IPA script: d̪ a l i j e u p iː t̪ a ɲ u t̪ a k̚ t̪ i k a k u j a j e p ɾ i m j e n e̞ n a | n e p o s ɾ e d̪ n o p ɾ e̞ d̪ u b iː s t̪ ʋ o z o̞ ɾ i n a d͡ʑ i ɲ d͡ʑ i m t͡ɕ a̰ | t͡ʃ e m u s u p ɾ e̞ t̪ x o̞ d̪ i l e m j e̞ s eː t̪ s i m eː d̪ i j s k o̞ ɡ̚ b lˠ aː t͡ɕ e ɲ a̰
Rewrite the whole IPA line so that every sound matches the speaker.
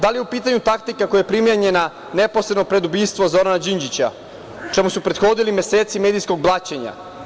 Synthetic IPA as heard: d̪ a l i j e u p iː t̪ a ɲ u t̪ a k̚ t̪ i k a k o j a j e p ɾ i m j e ɲ e̞ n a | n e p o s ɾ e d̪ n o p ɾ e̞ d̪ u b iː s t̪ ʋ o z o̞ ɾ a n a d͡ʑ i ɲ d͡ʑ i t͡ɕ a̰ | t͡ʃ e m u s u p ɾ e̞ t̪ x o̞ d̪ i l i m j e̞ s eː t̪ s i m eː d̪ i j s k o̞ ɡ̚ b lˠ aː t͡ɕ e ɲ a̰